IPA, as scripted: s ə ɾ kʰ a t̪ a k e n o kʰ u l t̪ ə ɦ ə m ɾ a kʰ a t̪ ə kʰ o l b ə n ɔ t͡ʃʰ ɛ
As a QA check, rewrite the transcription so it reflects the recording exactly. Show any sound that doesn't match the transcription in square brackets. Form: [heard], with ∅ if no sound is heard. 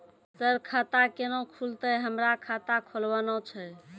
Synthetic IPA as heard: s ə ɾ kʰ a t̪ a k e n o kʰ u l t̪ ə ɦ ə m ɾ a kʰ a t̪ [a] kʰ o l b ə n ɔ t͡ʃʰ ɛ